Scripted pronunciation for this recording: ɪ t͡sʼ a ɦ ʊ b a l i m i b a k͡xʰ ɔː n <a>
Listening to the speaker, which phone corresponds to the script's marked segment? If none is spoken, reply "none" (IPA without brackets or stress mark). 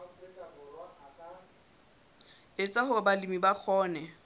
ɛ